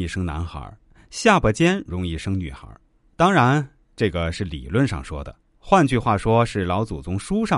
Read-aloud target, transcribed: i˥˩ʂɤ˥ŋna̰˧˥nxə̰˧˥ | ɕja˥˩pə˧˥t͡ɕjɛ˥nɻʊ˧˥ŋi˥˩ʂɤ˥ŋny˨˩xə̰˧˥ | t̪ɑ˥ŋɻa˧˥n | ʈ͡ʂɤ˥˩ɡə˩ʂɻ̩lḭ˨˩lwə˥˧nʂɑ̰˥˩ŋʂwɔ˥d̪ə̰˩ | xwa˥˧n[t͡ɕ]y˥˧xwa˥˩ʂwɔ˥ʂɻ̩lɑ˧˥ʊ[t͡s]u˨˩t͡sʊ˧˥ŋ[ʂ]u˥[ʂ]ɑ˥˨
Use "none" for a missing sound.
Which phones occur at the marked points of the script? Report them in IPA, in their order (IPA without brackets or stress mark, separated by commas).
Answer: t͡ɕ, t͡s, ʂ, ʂ